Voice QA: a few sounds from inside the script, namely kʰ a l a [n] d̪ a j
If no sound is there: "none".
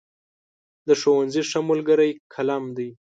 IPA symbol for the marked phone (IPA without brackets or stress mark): m